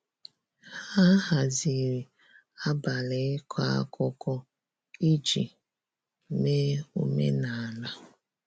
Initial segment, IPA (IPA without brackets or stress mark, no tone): h